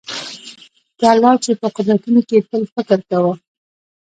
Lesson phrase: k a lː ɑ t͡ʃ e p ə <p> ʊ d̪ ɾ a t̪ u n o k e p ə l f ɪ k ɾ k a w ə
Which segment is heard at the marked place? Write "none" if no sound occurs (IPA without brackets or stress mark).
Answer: q